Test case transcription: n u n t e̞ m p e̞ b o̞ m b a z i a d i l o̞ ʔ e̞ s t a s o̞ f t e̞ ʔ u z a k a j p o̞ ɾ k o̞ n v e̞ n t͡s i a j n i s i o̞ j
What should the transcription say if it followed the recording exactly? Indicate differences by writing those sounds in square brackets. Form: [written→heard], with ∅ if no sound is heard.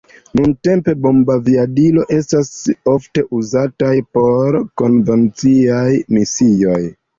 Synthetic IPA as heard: n u n t e̞ m p e̞ b o̞ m b a [z→v] i a d i l o̞ ʔ e̞ s t a s o̞ f t e̞ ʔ u z a [k→t] a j p o̞ ɾ k o̞ n v e̞ n t͡s i a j [n→m] i s i o̞ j